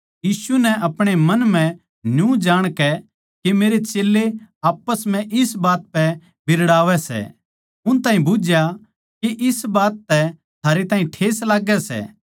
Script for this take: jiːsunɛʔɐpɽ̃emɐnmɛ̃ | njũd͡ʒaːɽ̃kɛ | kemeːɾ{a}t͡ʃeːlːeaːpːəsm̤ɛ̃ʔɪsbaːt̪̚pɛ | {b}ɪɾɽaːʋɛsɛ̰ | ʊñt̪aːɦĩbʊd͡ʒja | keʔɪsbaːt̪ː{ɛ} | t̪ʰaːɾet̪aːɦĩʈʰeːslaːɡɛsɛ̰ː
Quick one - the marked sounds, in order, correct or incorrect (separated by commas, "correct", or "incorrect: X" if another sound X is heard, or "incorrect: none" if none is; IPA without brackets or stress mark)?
incorrect: e, correct, correct